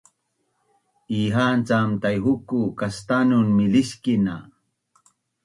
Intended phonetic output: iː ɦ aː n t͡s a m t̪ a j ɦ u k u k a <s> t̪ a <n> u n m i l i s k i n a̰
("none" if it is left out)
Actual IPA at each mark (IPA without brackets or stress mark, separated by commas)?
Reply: s, n